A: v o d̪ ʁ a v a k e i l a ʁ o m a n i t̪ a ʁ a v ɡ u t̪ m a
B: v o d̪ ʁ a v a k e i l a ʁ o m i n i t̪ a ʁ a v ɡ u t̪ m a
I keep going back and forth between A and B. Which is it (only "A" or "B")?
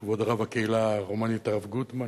A